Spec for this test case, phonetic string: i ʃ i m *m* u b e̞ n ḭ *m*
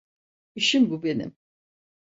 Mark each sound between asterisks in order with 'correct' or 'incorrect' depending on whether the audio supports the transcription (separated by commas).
incorrect, correct